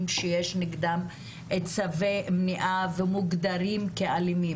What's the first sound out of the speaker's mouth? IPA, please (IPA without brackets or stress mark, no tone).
m